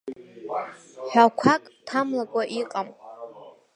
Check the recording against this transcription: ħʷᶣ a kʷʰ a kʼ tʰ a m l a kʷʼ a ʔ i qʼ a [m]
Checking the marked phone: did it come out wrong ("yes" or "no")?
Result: no